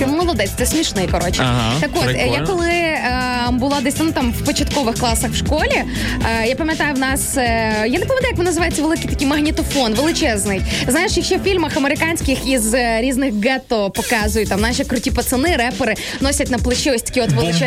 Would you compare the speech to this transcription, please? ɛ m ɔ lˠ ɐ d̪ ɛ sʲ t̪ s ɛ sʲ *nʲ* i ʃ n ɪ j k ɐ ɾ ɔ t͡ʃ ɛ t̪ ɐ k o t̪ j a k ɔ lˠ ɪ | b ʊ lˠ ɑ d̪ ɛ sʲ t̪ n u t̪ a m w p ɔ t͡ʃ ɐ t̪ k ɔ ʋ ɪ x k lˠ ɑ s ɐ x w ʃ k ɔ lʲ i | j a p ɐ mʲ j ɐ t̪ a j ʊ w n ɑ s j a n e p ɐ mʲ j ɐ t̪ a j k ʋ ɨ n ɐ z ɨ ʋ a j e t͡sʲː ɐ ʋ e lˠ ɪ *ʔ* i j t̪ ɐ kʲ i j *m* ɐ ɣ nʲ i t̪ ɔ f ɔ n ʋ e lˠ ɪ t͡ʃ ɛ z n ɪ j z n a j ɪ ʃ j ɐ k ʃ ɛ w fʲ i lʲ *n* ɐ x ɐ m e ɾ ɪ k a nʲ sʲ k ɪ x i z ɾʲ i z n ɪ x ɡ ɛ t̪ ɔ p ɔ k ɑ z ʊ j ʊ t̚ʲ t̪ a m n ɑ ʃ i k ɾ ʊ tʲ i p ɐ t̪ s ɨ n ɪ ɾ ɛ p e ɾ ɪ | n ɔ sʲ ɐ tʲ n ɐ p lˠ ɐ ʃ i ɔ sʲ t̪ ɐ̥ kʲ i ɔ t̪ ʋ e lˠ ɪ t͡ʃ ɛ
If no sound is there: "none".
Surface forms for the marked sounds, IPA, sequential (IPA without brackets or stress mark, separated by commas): mʲ, k, m, m